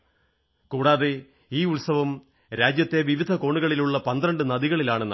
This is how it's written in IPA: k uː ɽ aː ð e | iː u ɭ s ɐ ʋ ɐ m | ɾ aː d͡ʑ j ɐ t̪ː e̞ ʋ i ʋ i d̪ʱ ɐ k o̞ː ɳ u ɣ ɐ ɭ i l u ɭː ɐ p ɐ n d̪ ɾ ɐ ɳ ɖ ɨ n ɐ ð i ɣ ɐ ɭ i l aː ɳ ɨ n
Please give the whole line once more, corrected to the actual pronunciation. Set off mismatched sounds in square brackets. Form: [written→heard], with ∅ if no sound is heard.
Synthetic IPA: k uː ɽ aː ð e | iː u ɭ s ɐ ʋ ɐ m | ɾ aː d͡ʑ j ɐ t̪ː e̞ ʋ i ʋ i d̪ʱ ɐ k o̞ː ɳ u ɣ ɐ ɭ i l u ɭː ɐ p ɐ n d̪ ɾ ɐ ɳ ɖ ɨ n ɐ ð i ɣ ɐ ɭ i l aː ɳ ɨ n

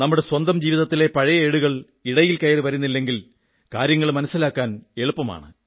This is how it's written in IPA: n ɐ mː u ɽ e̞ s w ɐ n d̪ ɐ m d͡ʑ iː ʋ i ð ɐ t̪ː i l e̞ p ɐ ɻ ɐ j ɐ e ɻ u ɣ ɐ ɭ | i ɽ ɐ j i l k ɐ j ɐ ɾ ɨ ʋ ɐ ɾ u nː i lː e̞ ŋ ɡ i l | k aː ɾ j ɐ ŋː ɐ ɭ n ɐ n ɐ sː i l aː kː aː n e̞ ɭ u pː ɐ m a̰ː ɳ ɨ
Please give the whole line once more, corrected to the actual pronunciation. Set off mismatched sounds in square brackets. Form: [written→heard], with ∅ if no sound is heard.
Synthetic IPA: n ɐ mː u ɽ e̞ s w ɐ n d̪ ɐ m d͡ʑ iː ʋ i ð ɐ t̪ː i l e̞ p ɐ ɻ ɐ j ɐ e ɻ u ɣ ɐ ɭ | i ɽ ɐ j i l k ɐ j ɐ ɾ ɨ ʋ ɐ ɾ u nː i lː e̞ ŋ ɡ i l | k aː ɾ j ɐ ŋː ɐ ɭ [n→m] ɐ n ɐ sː i l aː kː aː n e̞ ɭ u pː ɐ m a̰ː ɳ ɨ

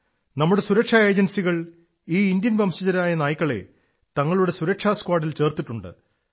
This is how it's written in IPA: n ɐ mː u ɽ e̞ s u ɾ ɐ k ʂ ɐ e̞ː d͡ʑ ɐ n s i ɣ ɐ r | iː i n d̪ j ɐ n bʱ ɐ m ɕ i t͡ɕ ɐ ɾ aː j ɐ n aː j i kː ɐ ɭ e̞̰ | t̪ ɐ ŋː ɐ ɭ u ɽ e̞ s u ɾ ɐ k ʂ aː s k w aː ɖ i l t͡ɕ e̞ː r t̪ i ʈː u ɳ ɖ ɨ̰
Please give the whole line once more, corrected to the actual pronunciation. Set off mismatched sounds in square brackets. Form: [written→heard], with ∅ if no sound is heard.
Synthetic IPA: n ɐ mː u ɽ e̞ s u ɾ ɐ k ʂ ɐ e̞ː d͡ʑ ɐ n s i ɣ ɐ [r→ɭ] | iː i n d̪ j ɐ n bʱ ɐ m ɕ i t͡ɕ ɐ ɾ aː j ɐ n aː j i kː ɐ ɭ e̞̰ | t̪ ɐ ŋː ɐ ɭ u ɽ e̞ s u ɾ ɐ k ʂ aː s k w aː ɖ i l t͡ɕ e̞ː r t̪ i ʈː u ɳ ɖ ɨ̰

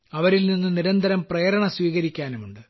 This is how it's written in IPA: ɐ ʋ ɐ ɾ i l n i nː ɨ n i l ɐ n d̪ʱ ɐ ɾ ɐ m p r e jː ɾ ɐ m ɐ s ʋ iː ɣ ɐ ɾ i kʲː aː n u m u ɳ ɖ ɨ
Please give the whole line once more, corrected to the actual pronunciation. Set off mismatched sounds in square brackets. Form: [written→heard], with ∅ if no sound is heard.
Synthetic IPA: ɐ ʋ ɐ ɾ i l n i nː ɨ n i [l→ɾ] ɐ n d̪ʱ ɐ ɾ ɐ m p r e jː ɾ ɐ [m→ɳ] ɐ s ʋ iː ɣ ɐ ɾ i kʲː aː n u m u ɳ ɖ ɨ

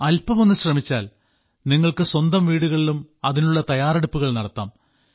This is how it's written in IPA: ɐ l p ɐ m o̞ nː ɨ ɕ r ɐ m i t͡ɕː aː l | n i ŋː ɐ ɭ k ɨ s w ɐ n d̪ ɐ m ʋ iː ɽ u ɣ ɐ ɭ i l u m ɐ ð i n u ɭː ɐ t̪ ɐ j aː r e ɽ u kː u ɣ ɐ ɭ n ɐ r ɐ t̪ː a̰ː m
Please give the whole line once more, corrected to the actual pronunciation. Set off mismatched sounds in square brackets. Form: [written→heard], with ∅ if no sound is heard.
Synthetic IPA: ɐ l p ɐ m o̞ nː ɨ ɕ r ɐ m i t͡ɕː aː l | n i ŋː ɐ ɭ k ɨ s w ɐ n d̪ ɐ m ʋ iː ɽ u ɣ ɐ ɭ i l u m ɐ ð i n u ɭː ɐ t̪ ɐ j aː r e ɽ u [kː→pː] u ɣ ɐ ɭ n ɐ [r→ɽ] ɐ t̪ː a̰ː m

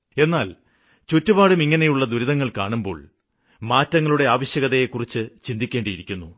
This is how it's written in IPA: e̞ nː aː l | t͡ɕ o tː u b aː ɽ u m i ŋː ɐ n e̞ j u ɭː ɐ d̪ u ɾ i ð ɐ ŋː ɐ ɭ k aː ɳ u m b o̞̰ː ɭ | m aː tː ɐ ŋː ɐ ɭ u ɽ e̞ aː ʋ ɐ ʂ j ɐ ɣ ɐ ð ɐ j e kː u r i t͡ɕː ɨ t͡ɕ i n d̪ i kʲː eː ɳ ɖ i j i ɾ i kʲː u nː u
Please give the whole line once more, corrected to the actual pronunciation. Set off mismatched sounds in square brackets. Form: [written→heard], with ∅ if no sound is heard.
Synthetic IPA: e̞ nː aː l | t͡ɕ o tː u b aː ɽ u m i ŋː ɐ n e̞ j u ɭː ɐ d̪ u ɾ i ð ɐ ŋː ɐ ɭ k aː ɳ u m b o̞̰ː ɭ | m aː tː ɐ ŋː ɐ ɭ u ɽ e̞ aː ʋ ɐ [ʂ→ɕ] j ɐ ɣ ɐ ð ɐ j e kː u r i t͡ɕː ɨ t͡ɕ i n d̪ i kʲː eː ɳ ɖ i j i ɾ i kʲː u nː u

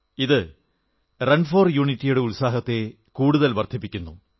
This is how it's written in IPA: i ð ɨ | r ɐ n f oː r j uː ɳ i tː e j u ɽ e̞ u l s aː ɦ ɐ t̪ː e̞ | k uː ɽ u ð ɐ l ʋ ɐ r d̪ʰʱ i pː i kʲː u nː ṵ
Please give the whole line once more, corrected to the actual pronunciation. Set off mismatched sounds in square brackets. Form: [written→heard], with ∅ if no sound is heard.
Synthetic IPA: i ð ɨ | r ɐ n f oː r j uː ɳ i tː [e→i] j u ɽ e̞ u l s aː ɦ ɐ t̪ː e̞ | k uː ɽ u ð ɐ l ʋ ɐ r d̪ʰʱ i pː i kʲː u nː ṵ

